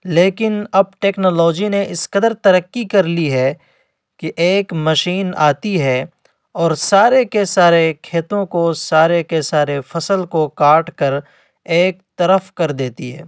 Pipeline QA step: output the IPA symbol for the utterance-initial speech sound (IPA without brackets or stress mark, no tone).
l